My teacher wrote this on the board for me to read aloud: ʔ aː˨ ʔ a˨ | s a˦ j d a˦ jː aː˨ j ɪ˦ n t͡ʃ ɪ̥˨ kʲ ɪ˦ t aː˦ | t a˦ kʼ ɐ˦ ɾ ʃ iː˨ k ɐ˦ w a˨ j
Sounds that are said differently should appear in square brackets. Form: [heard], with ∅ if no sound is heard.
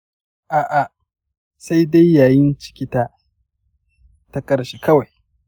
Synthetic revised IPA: ʔ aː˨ ʔ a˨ | s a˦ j d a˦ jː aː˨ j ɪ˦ n t͡ʃ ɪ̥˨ kʲ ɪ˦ t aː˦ | t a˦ kʼ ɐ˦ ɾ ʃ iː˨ k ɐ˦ w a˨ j